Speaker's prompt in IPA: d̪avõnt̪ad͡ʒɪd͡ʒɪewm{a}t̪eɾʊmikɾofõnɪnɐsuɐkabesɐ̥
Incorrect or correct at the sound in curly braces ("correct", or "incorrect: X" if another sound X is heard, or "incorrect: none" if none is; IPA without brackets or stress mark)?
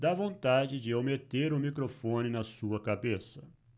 incorrect: e